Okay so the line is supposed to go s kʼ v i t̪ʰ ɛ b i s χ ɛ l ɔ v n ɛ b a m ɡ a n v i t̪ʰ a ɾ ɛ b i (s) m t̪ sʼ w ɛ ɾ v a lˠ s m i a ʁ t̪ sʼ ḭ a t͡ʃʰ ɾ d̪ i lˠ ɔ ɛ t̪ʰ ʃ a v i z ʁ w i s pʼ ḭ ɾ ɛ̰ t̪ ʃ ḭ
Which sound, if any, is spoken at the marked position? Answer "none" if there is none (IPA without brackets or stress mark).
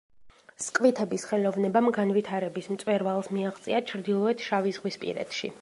s